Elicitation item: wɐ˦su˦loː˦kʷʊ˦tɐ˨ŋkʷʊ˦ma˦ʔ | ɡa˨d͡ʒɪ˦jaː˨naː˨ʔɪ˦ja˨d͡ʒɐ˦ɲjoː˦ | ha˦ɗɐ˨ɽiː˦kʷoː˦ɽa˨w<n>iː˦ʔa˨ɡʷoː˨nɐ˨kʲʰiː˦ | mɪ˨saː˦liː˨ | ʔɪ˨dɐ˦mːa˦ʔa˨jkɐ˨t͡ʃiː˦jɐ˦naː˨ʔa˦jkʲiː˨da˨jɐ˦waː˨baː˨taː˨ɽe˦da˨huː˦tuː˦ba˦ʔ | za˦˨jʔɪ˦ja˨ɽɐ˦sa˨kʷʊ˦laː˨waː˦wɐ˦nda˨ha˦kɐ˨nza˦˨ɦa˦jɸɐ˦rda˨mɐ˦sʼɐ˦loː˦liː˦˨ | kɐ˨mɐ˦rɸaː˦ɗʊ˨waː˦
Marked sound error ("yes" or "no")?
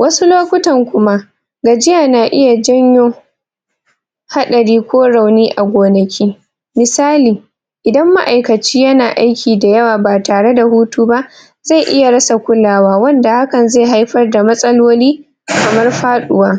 no